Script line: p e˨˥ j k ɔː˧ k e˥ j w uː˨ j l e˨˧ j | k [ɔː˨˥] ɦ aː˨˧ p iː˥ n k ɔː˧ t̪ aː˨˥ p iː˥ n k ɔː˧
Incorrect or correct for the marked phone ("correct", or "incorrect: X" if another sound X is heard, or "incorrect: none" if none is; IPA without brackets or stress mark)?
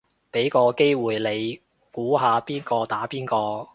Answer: incorrect: uː˨˥